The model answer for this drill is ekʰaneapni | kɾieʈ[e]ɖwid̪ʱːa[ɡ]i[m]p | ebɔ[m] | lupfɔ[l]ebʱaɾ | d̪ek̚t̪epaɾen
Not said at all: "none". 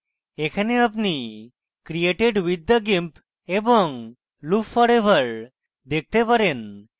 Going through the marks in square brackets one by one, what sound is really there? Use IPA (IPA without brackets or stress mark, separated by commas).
e, ɡ, m, ŋ, ɾ